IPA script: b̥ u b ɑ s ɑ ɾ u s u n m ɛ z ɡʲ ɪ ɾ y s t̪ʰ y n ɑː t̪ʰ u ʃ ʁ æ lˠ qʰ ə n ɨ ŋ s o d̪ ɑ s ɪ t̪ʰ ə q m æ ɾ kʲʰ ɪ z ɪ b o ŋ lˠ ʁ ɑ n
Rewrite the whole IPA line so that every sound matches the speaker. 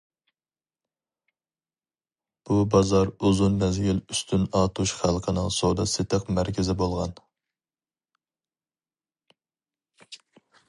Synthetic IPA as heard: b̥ u b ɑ z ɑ ɾ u z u n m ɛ z ɡʲ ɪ l y s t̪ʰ y n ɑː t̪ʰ u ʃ χ æ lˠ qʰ ə n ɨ ŋ s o d̪ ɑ s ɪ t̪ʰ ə q m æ ɾ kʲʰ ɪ z ɪ b o lˠ ʁ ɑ n